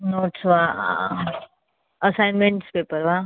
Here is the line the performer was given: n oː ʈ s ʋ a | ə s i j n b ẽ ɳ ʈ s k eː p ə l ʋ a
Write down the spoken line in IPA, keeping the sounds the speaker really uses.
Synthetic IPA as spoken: n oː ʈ s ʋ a | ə s a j n m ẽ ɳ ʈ s p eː p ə ɾ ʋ a